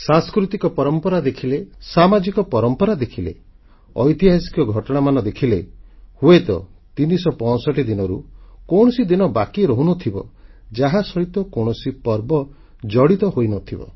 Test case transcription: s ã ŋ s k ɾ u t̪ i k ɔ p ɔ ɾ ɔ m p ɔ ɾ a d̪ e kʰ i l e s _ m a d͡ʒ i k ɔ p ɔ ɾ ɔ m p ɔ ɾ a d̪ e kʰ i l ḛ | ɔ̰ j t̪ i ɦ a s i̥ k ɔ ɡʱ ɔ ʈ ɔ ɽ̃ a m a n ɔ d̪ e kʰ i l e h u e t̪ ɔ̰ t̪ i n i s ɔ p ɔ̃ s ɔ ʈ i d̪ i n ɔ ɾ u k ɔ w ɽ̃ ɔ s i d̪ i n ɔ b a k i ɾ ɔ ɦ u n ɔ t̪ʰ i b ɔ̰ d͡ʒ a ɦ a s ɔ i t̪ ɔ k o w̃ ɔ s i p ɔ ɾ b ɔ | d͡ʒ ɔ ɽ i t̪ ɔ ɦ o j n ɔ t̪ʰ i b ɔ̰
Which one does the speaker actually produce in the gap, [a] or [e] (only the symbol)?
a